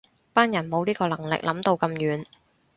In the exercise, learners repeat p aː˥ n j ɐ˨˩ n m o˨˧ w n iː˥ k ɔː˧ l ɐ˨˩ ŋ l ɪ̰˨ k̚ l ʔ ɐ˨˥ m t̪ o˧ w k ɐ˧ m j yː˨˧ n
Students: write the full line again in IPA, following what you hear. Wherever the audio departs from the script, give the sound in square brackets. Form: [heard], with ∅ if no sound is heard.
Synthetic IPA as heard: p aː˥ n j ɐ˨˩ n m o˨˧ w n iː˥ k ɔː˧ l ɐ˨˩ ŋ l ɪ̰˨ k̚ l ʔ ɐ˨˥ m t̪ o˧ w k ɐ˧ m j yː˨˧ n